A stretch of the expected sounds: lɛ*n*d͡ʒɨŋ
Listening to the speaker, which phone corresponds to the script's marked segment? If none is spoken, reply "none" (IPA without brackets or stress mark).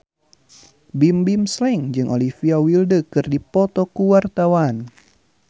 ŋ